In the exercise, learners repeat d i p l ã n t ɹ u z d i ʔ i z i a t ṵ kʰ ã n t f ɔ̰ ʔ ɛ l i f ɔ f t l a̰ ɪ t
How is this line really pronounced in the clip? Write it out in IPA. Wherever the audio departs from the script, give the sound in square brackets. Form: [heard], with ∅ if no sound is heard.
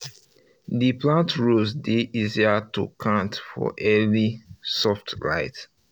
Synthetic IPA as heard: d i p l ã n t ɹ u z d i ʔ i z i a t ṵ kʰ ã n t f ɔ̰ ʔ ɛ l i [s] ɔ f t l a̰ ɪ t